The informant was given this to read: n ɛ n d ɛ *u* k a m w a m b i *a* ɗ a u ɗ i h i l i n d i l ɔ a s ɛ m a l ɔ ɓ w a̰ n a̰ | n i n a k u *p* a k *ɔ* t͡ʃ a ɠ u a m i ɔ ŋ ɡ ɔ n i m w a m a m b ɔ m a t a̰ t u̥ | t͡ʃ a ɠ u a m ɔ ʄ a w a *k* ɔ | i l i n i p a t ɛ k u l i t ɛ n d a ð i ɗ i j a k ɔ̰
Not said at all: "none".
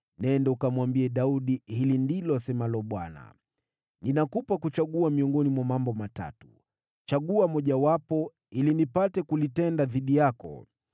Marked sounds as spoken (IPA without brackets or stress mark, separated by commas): u, ɛ, p, u, p